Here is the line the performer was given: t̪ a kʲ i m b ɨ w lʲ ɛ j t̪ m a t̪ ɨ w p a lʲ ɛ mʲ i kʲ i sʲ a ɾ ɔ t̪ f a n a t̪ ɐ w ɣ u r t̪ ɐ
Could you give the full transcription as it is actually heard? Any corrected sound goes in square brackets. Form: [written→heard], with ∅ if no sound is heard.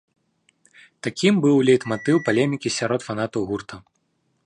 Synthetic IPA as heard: t̪ a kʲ i m b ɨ w lʲ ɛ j t̪ m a t̪ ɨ w p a lʲ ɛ mʲ i kʲ i sʲ a ɾ ɔ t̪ f a n a t̪ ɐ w ɣ u r t̪ ɐ